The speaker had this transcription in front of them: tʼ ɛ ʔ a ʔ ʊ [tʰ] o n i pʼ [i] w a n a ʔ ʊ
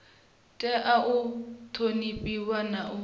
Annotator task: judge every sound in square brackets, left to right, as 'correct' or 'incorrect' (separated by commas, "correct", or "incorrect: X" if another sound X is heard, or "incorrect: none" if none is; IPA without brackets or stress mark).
correct, correct